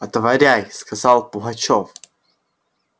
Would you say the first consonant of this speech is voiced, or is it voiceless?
voiceless